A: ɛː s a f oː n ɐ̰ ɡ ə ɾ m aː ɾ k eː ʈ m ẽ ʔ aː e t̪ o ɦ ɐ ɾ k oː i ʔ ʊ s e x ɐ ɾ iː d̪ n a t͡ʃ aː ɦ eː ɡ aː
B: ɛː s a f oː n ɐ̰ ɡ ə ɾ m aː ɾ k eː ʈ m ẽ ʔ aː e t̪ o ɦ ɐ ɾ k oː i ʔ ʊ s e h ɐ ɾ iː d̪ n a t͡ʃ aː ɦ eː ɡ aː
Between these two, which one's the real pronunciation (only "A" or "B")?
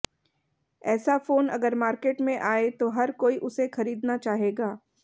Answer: A